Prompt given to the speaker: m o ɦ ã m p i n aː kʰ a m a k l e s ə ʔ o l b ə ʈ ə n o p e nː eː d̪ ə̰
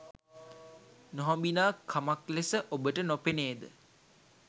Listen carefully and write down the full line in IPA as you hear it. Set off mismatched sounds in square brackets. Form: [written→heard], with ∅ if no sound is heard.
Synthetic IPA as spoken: [m→n] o ɦ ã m [p→b] i n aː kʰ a m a k l e s ə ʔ o [l→∅] b ə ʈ ə n o p e [nː→n] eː d̪ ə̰